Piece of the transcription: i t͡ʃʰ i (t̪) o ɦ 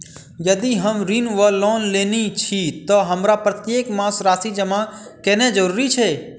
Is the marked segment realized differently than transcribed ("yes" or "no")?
no